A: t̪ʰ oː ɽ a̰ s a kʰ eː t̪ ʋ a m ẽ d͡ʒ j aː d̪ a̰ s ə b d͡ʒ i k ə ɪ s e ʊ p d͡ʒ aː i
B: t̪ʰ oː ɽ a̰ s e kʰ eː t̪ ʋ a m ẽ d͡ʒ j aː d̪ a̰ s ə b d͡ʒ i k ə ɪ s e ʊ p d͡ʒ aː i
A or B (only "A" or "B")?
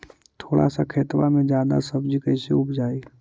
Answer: A